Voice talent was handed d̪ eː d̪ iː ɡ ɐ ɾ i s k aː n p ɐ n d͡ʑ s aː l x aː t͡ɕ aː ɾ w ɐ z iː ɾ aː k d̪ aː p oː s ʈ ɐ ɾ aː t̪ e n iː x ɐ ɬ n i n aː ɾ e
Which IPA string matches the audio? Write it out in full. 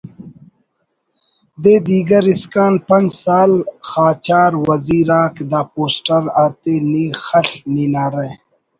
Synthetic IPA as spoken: d̪ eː d̪ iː ɡ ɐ ɾ i s k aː n p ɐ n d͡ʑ s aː l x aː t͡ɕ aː ɾ w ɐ z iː ɾ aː k d̪ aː p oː s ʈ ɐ ɾ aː t̪ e n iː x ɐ ɬ n i n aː ɾ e